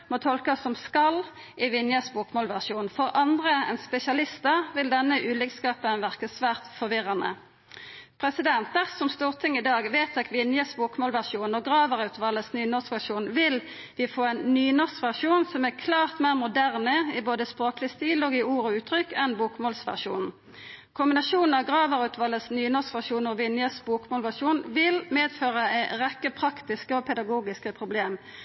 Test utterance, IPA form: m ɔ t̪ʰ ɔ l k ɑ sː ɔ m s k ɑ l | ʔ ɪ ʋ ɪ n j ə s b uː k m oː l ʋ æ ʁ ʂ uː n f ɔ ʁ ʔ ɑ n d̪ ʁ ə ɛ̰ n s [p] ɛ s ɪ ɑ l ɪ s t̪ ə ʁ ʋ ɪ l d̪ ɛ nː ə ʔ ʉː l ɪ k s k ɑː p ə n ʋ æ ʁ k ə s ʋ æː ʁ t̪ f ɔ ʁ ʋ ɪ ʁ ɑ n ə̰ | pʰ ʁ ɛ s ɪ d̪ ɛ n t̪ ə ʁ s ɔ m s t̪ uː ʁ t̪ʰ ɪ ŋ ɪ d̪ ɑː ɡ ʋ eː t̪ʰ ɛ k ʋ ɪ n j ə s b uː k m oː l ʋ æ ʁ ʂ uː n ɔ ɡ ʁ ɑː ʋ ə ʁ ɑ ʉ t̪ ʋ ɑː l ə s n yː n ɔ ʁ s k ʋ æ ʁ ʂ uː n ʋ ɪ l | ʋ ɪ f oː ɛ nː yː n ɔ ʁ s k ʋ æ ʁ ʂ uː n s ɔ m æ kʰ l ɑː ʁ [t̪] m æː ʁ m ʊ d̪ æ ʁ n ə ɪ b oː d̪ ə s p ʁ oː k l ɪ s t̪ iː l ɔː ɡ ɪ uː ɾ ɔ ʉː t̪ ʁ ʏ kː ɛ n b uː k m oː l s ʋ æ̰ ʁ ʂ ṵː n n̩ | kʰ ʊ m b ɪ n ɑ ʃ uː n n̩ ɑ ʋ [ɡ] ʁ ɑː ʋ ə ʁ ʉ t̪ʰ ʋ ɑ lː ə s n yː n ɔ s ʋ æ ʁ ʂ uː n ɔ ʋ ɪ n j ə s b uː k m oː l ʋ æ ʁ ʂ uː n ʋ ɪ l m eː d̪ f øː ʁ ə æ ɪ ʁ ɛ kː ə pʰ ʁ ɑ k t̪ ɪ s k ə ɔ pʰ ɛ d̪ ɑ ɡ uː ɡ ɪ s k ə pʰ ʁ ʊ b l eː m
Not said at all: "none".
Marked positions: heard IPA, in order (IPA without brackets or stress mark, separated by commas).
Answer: p, t̪, ɡ